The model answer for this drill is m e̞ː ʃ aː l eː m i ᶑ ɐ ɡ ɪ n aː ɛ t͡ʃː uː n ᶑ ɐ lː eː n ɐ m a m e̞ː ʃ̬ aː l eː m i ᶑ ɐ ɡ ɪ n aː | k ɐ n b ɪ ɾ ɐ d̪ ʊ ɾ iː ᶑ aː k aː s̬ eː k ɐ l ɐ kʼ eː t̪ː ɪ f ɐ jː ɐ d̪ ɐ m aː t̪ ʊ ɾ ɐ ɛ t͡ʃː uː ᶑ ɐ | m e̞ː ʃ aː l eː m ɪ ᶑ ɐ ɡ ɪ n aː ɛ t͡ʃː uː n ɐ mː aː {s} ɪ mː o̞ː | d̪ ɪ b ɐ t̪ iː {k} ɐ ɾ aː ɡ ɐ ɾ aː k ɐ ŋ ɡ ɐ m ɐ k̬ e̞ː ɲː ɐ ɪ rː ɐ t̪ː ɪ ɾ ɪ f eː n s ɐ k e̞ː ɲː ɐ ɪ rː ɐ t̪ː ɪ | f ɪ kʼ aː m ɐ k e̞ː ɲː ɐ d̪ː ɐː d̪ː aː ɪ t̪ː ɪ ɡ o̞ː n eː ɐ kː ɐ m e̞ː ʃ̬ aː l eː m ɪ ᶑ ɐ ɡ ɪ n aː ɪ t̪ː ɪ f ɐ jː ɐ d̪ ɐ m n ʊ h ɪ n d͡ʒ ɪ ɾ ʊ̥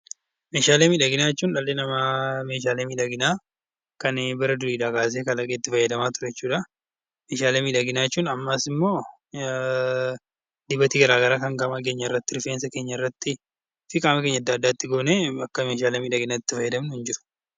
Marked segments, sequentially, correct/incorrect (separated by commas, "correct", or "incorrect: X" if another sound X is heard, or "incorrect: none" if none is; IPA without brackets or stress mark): correct, incorrect: ɡ